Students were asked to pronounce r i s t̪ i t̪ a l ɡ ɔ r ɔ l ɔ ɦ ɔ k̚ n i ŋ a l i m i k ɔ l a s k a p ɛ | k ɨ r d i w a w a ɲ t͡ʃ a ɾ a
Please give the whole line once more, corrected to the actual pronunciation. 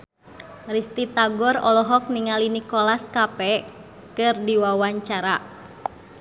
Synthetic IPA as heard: r i s t̪ i t̪ a ɡ ɔ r ɔ l ɔ ɦ ɔ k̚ n i ŋ a l i n i k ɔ l a s k a p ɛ | k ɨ r d i w a w a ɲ t͡ʃ a ɾ a